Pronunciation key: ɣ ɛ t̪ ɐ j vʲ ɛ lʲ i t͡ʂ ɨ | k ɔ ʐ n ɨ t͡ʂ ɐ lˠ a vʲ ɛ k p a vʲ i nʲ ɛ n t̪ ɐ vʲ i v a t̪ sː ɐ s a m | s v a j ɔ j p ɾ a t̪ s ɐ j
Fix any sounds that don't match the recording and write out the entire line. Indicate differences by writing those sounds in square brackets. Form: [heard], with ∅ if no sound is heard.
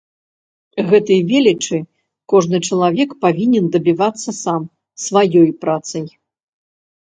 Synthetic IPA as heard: ɣ ɛ t̪ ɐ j vʲ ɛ lʲ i t͡ʂ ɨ | k ɔ ʐ n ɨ t͡ʂ ɐ lˠ a vʲ ɛ k p a vʲ i nʲ ɛ n [d̪] ɐ [bʲ] i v a t̪ sː ɐ s a m | s v a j ɔ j p ɾ a t̪ s ɐ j